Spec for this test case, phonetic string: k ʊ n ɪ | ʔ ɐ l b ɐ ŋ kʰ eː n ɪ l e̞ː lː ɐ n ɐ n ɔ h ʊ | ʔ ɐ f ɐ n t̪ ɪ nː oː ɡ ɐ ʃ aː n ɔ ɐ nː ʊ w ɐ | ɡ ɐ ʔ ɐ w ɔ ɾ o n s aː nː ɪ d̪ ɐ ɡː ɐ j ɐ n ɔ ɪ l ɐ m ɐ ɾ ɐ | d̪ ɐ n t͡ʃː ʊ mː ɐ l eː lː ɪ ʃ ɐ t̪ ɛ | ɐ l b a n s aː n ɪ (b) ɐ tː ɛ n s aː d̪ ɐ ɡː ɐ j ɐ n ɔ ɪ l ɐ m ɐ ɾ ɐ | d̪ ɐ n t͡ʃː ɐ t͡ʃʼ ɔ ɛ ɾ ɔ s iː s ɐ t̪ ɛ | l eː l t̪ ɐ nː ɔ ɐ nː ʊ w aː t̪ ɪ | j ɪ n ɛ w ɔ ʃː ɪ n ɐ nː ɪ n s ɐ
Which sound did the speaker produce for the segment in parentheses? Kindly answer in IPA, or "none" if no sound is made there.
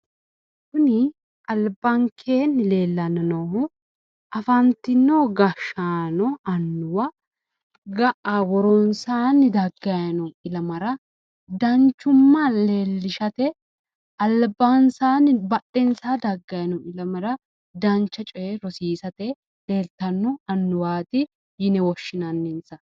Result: b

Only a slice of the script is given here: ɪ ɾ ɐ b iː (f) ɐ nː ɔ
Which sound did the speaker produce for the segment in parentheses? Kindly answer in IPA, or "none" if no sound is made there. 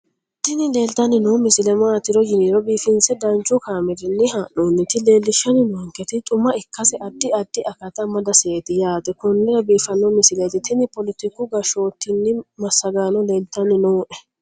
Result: f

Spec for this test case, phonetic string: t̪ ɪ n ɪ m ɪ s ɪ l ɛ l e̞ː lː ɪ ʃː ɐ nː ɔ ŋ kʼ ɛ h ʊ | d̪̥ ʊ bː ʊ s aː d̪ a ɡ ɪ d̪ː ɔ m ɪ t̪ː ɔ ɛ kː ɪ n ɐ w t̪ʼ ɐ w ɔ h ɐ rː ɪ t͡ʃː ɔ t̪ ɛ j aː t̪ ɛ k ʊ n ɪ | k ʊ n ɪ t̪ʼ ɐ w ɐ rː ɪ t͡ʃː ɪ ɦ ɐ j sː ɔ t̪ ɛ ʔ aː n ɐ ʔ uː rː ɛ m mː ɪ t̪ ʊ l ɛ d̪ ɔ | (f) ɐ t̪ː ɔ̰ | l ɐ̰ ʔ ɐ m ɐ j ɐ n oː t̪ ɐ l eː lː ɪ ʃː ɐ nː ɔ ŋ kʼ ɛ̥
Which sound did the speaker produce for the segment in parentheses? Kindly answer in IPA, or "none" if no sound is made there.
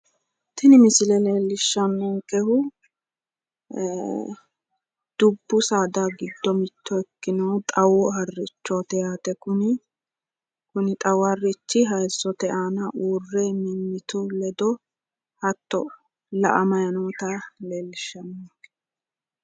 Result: h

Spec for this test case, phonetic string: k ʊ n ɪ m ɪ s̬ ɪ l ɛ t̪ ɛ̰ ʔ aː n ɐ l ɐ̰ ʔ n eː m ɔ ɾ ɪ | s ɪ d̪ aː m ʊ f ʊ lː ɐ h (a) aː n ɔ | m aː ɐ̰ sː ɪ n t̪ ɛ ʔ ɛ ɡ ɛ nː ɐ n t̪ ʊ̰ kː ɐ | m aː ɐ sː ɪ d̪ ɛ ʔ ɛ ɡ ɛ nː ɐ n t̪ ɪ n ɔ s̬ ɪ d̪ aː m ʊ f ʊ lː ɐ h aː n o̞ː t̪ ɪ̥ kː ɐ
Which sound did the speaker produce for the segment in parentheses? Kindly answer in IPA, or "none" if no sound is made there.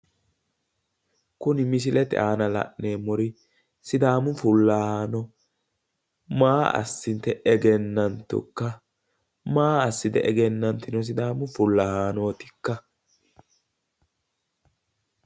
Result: a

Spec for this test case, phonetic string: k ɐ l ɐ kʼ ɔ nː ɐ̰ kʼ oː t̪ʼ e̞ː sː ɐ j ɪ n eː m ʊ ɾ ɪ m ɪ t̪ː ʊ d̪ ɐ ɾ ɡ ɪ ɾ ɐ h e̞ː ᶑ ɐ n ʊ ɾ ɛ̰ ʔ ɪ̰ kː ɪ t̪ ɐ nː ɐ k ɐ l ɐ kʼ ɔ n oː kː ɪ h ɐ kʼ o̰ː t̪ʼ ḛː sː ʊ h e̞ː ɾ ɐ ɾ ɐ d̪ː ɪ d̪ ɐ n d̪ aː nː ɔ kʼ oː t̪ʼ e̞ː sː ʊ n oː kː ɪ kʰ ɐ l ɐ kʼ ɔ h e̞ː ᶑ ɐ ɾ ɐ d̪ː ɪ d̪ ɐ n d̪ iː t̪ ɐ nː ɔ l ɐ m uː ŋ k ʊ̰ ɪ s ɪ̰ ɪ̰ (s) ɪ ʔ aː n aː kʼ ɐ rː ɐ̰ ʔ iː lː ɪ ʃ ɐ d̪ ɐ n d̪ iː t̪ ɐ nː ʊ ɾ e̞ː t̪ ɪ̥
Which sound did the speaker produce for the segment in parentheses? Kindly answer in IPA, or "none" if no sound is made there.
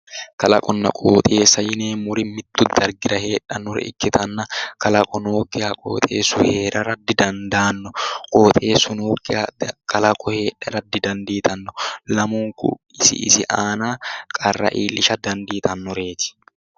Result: s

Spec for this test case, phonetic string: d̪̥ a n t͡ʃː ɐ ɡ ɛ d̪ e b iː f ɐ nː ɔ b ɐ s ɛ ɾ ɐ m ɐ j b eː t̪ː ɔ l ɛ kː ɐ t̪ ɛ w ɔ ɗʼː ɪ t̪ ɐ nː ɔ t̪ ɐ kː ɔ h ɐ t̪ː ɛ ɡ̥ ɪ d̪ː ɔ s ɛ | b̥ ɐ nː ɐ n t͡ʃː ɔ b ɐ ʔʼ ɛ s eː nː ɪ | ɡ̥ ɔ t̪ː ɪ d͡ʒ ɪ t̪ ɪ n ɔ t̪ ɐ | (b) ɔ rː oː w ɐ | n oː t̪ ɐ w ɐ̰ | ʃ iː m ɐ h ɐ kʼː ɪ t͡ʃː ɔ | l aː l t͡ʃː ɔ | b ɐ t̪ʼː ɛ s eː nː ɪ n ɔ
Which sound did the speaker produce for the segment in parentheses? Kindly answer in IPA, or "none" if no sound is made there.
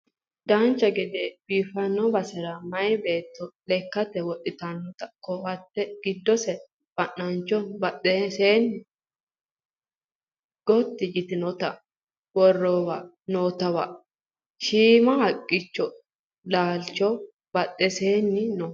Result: w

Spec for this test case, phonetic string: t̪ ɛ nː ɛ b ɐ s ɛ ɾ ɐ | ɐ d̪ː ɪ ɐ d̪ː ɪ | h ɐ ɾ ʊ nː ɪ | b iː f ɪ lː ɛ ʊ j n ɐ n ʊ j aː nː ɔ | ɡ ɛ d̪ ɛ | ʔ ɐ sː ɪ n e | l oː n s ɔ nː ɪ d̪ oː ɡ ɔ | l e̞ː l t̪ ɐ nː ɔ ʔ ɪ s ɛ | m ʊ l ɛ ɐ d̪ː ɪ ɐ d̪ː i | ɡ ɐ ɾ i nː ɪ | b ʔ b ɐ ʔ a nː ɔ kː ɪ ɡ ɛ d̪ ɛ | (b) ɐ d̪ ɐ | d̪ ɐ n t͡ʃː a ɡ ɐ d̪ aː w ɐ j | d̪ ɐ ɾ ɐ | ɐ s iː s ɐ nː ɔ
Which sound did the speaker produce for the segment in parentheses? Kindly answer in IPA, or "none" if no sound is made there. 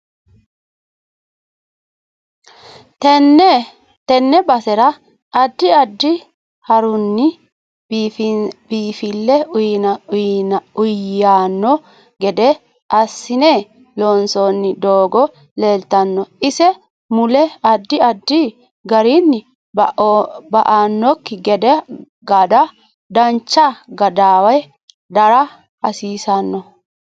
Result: ɡ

